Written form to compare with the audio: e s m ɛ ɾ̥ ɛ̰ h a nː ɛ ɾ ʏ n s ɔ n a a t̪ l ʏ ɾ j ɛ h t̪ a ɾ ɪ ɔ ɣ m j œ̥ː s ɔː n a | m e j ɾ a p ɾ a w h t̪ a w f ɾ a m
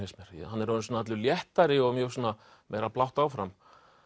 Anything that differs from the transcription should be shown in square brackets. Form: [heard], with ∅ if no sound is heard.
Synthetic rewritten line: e s m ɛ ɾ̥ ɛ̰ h a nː ɛ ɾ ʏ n s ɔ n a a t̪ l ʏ [l] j ɛ h t̪ a ɾ ɪ ɔ ɣ m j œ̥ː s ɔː n a | m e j ɾ a p [l] a w h t̪ a w f ɾ a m